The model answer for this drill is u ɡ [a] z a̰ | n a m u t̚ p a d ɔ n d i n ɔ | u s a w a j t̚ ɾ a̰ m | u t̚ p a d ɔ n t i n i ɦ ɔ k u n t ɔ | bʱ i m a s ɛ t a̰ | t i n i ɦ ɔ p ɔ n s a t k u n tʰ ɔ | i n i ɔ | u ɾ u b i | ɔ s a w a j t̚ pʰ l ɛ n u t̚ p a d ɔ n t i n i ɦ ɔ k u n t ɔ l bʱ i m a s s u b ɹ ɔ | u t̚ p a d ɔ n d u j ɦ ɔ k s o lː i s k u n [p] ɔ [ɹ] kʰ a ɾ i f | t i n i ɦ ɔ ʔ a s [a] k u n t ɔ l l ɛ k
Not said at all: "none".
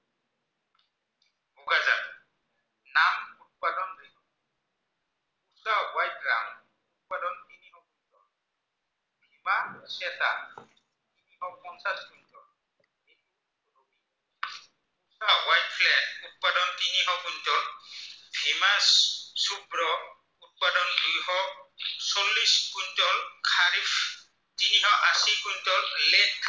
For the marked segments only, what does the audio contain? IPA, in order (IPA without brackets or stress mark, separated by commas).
a, t, l, i